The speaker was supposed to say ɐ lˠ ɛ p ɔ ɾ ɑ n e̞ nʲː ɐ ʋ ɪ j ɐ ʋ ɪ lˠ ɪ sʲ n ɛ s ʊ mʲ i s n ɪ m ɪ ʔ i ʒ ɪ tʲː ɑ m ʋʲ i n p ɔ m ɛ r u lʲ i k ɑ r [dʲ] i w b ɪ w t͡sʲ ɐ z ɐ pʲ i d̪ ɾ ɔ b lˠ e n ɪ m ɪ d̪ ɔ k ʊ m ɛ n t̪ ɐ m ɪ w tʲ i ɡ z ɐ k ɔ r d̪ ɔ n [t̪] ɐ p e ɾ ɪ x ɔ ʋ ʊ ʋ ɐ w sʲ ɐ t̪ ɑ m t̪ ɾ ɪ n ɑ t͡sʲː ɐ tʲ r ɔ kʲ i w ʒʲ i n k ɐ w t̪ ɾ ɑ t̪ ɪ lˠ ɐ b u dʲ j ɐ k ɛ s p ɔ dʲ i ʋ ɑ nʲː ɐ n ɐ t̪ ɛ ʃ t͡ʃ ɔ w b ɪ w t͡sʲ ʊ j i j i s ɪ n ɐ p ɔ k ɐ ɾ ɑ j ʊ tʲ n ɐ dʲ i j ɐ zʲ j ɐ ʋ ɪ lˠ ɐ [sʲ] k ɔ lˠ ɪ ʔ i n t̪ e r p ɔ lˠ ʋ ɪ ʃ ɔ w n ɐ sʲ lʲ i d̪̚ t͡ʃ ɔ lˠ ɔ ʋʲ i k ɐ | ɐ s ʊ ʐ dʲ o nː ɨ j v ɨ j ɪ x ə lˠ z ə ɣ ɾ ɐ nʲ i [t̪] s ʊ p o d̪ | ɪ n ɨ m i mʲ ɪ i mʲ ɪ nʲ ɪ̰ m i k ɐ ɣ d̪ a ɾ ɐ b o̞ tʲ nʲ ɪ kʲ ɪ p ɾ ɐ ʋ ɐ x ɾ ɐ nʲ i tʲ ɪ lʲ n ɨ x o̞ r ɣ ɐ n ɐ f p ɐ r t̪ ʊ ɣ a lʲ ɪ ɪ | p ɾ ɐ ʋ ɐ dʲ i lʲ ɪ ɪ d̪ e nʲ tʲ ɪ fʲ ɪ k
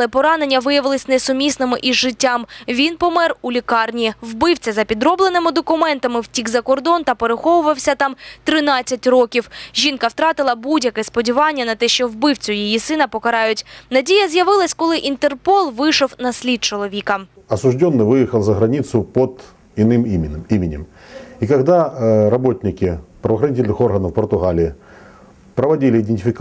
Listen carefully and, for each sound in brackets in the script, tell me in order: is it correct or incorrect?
incorrect: nʲ, correct, correct, correct

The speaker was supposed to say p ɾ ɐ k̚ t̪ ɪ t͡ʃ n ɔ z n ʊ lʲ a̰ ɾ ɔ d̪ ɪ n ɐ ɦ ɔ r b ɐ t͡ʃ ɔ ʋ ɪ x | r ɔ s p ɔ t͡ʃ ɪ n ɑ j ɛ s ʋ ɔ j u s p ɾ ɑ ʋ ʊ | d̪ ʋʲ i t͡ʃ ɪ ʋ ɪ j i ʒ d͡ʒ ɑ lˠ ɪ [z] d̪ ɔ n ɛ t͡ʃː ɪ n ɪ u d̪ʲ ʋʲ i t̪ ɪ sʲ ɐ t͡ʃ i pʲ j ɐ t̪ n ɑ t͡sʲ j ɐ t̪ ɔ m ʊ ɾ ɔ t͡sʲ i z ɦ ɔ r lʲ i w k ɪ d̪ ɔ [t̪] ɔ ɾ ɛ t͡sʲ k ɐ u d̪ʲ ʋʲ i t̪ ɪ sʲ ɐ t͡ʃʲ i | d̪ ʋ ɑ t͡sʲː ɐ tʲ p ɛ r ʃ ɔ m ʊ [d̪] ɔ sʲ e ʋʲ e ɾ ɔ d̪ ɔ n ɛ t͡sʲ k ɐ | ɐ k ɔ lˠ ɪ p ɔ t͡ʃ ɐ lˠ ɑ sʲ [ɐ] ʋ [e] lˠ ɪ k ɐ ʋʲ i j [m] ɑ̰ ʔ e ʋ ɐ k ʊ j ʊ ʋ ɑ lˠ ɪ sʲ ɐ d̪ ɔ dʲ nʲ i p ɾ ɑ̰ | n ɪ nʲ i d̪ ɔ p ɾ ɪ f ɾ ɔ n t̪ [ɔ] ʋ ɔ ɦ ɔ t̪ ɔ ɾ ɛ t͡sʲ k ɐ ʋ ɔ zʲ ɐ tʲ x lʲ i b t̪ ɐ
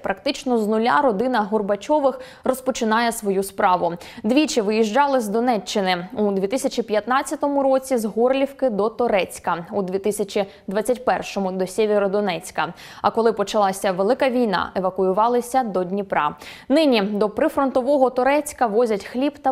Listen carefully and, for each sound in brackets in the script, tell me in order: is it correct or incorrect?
correct, correct, correct, correct, correct, incorrect: n, correct

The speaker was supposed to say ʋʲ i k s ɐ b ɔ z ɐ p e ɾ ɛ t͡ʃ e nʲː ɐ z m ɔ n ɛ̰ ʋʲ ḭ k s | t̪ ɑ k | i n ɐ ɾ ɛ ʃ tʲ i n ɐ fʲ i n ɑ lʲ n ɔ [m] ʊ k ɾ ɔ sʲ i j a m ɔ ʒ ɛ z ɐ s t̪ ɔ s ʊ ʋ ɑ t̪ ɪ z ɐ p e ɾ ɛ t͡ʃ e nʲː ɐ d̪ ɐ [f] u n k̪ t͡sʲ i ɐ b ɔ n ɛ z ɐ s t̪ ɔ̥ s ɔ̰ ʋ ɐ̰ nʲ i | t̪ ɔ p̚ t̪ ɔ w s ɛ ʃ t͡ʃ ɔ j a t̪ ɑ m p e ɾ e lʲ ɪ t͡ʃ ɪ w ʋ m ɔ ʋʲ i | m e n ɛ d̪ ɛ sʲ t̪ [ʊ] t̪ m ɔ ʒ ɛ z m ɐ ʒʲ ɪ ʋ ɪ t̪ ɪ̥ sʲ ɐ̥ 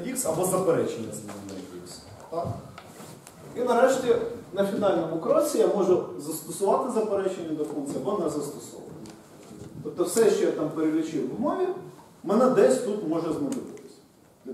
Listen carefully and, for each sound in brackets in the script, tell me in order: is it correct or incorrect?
correct, correct, incorrect: u

